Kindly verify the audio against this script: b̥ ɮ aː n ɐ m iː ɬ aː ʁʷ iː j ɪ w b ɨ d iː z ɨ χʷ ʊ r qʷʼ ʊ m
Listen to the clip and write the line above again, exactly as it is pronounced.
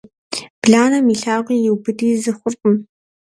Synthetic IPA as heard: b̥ ɮ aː n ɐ m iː ɬ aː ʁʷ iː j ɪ w b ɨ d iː z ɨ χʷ ʊ r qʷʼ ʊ m